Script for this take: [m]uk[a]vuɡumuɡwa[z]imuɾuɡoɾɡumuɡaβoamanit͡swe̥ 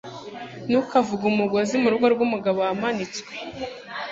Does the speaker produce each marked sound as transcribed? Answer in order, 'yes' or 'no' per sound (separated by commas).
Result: no, yes, yes